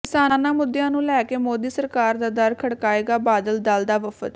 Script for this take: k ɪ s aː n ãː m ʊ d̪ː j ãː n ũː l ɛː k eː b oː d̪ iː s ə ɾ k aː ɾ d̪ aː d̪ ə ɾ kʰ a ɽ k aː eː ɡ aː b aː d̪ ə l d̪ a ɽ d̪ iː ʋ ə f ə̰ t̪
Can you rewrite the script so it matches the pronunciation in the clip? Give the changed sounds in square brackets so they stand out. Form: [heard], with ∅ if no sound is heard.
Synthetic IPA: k ɪ s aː n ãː m ʊ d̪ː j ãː n ũː l ɛː k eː [m] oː d̪ iː s ə ɾ k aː ɾ d̪ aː d̪ ə ɾ kʰ [ə] ɽ k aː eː ɡ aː b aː d̪ ə l d̪ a [l] d̪ [aː] ʋ ə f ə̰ t̪